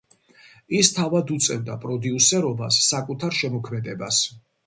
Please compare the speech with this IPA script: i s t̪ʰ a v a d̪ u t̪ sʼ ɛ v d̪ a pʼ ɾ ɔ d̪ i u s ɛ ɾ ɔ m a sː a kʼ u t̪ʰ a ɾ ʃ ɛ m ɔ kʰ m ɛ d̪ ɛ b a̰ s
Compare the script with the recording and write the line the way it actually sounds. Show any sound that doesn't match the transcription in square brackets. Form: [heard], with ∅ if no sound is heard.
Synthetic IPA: i s t̪ʰ a v a d̪ u t̪ sʼ ɛ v d̪ a pʼ ɾ ɔ d̪ i u s ɛ ɾ ɔ [b] a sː a kʼ u t̪ʰ a ɾ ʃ ɛ m ɔ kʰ m ɛ d̪ ɛ b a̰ s